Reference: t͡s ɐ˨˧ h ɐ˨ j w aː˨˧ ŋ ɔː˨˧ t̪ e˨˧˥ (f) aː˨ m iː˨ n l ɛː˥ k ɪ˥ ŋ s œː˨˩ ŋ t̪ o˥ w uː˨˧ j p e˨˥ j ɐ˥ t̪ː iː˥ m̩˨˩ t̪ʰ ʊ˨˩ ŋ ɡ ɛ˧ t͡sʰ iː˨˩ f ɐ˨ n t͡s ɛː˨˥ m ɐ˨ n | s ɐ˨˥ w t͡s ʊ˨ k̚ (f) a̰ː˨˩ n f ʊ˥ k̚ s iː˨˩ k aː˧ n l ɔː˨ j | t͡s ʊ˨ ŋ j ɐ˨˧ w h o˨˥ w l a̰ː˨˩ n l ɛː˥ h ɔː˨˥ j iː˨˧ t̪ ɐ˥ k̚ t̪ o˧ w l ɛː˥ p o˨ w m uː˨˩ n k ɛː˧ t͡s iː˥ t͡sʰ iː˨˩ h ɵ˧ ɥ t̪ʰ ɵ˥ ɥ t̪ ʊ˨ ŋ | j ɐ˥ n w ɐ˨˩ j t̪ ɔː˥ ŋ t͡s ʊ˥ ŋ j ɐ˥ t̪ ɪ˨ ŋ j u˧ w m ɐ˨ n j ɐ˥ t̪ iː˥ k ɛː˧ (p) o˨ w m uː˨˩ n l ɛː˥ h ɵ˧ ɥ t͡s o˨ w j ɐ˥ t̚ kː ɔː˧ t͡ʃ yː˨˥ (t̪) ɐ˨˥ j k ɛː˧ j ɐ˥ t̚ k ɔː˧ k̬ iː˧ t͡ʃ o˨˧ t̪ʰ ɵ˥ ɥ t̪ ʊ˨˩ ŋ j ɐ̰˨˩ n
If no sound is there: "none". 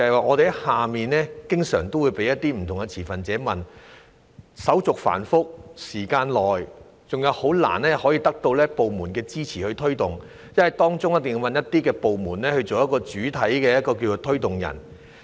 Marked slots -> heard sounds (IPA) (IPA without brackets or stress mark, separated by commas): h, f, p, t̪ʰ